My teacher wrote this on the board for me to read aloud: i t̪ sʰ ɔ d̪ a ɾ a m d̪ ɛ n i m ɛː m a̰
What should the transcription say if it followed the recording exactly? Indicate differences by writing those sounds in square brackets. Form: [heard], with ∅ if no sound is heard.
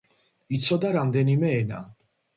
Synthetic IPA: i t̪ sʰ ɔ d̪ a ɾ a m d̪ ɛ n i m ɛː [n] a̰